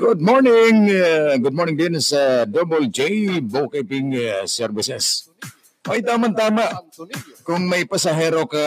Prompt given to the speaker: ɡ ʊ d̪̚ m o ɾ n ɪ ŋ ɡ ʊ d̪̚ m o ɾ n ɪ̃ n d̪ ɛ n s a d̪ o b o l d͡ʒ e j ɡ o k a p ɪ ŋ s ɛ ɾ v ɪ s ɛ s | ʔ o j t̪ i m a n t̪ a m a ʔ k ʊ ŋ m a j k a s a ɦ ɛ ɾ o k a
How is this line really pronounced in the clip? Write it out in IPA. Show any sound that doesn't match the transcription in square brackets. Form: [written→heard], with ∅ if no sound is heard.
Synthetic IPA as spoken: ɡ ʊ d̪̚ m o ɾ n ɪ ŋ ɡ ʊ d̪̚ m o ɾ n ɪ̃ [n→ŋ] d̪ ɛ n s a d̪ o b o l d͡ʒ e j [ɡ→b] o k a p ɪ ŋ s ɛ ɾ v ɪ s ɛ s | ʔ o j t̪ [i→a] m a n t̪ a m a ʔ k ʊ ŋ m a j [k→p] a s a ɦ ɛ ɾ o k a